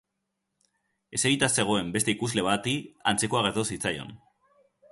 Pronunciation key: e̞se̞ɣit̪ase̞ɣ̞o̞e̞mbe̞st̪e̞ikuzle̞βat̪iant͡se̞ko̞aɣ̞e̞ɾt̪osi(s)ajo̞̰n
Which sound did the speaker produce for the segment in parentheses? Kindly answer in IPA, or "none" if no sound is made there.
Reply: t͡s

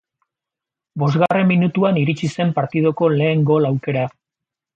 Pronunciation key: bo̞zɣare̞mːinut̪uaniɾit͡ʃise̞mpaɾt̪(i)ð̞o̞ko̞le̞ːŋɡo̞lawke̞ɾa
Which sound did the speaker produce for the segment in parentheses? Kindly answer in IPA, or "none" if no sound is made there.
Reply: i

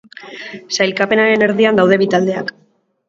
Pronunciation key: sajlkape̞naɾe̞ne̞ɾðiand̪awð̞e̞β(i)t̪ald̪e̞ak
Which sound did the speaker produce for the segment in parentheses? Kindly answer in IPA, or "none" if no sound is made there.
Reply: i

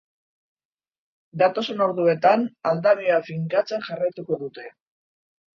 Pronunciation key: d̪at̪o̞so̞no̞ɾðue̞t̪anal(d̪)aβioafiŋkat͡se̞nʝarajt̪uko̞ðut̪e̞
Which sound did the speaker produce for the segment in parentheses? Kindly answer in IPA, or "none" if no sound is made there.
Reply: d̪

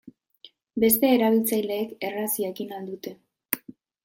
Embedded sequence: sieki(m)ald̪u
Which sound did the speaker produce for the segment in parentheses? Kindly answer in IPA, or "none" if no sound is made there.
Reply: n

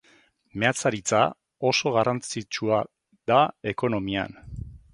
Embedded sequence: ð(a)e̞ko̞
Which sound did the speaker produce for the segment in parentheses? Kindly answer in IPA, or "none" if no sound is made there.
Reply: a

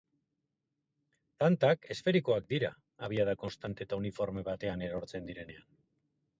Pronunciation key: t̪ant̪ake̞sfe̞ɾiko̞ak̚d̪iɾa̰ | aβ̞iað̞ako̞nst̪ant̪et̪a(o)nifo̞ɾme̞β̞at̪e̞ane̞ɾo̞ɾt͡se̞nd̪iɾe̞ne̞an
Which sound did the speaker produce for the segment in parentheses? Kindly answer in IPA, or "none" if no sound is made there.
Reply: u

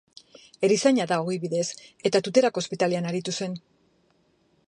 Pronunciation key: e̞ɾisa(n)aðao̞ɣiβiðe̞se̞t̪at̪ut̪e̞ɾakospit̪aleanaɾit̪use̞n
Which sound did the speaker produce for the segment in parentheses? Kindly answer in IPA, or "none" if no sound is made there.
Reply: ɲ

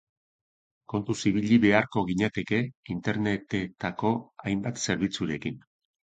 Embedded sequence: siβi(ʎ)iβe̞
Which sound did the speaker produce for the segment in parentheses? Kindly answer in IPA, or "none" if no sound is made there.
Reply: ʎ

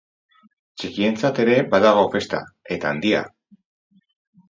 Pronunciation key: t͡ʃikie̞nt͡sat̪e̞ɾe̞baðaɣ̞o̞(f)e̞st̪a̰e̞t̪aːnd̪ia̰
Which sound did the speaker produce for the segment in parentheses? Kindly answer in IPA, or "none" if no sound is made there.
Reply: f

